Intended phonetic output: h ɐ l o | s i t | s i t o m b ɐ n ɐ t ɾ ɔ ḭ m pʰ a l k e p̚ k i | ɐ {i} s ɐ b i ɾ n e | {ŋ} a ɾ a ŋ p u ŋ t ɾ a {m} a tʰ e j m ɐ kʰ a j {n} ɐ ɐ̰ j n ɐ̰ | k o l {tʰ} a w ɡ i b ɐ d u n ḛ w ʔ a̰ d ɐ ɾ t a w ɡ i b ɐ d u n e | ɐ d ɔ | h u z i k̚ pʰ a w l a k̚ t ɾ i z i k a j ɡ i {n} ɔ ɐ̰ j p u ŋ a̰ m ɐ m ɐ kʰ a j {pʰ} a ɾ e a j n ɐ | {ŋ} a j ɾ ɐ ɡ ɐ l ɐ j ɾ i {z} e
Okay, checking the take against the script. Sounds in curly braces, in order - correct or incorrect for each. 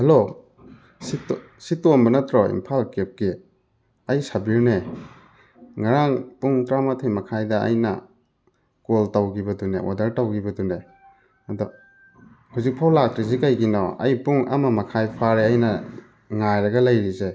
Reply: incorrect: j, correct, correct, incorrect: d, incorrect: t, correct, correct, correct, correct

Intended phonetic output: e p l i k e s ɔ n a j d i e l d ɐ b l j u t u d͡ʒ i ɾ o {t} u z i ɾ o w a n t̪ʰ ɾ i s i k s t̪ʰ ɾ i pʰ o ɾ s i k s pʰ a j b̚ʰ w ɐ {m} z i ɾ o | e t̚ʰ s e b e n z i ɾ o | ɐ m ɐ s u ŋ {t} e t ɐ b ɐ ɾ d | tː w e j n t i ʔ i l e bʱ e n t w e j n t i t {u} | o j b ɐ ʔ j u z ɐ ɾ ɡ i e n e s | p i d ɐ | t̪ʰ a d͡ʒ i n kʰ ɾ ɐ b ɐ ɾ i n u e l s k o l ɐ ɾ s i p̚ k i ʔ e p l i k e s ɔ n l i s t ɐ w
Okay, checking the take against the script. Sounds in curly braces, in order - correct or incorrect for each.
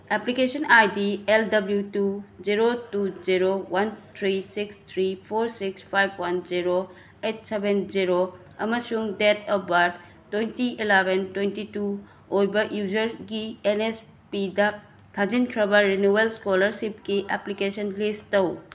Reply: correct, incorrect: n, incorrect: d, correct

